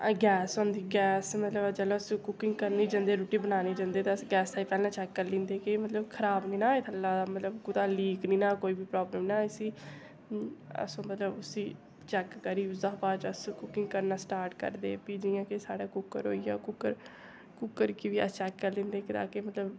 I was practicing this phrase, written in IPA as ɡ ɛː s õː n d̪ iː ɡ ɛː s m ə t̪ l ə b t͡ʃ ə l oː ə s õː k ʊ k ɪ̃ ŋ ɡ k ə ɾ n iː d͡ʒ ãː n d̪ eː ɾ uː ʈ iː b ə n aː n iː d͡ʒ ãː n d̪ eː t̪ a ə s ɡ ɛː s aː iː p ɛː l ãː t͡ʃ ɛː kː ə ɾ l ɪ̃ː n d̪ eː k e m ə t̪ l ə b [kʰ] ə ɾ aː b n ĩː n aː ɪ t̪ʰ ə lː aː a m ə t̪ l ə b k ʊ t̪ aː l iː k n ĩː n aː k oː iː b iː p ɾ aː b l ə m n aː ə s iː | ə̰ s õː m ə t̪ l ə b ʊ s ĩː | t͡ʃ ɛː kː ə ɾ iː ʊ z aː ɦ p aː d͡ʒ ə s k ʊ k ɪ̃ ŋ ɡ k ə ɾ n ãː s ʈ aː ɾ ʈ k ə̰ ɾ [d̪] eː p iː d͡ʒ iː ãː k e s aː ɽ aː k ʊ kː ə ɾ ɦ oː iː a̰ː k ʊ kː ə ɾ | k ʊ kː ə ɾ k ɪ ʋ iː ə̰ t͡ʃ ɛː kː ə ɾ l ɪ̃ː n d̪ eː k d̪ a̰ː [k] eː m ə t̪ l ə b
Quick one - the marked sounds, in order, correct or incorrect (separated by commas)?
correct, correct, correct